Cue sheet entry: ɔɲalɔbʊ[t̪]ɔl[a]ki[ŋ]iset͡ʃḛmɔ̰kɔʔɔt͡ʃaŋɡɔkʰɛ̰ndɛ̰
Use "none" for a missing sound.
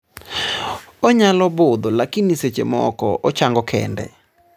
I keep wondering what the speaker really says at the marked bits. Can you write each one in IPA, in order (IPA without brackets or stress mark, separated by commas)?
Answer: d̪, a, n